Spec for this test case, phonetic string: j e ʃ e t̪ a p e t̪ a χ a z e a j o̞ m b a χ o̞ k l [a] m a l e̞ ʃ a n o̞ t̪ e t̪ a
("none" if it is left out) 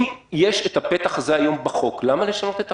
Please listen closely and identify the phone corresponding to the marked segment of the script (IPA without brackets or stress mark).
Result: a